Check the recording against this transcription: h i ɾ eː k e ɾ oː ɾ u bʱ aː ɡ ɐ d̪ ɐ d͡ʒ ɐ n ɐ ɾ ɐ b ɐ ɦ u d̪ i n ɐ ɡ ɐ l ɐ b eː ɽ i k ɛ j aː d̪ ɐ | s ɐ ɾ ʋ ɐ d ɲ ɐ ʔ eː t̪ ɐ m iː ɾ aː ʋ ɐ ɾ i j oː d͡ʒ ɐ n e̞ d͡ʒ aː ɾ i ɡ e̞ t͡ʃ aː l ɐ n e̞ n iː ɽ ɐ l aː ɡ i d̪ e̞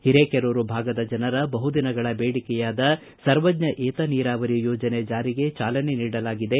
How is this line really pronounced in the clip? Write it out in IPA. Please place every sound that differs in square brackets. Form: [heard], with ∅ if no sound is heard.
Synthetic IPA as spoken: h i ɾ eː k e ɾ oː ɾ u bʱ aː ɡ ɐ d̪ ɐ d͡ʒ ɐ n ɐ ɾ ɐ b ɐ ɦ u d̪ i n ɐ ɡ ɐ [ɭ] ɐ b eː ɽ i k ɛ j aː d̪ ɐ | s ɐ ɾ ʋ ɐ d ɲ ɐ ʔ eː t̪ ɐ [n] iː ɾ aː ʋ ɐ ɾ i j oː d͡ʒ ɐ n e̞ d͡ʒ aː ɾ i ɡ e̞ t͡ʃ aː l ɐ n e̞ n iː ɽ ɐ l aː ɡ i d̪ e̞